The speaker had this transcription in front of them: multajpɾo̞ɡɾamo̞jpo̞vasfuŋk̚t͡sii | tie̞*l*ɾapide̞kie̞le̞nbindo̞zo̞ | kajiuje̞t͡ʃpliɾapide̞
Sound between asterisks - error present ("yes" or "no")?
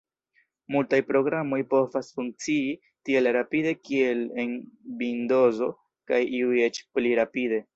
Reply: no